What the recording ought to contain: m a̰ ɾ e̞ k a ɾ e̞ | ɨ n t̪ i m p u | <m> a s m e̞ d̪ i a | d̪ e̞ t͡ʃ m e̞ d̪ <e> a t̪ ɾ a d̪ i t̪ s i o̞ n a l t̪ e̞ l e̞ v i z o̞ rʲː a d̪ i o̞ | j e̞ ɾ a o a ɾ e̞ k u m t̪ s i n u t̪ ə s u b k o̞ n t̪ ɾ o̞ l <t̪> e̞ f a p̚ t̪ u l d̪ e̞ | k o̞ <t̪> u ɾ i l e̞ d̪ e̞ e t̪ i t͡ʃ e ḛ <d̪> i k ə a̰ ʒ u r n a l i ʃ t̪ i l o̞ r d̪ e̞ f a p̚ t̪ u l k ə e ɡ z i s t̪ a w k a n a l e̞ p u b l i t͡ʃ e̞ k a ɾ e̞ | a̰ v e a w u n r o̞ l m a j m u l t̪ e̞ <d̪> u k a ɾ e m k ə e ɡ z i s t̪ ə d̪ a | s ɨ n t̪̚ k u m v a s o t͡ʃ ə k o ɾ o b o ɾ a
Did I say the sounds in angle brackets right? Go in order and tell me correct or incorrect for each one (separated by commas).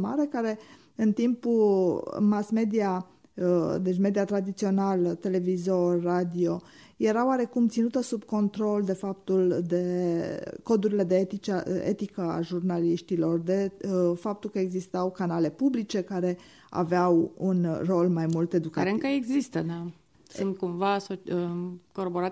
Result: correct, incorrect, incorrect, incorrect, incorrect, correct